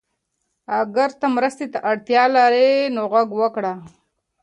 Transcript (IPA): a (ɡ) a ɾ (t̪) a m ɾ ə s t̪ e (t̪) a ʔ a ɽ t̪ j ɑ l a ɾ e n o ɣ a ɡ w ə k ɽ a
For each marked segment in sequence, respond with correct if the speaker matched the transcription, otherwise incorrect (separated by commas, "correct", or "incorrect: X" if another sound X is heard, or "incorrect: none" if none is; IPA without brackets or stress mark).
correct, correct, correct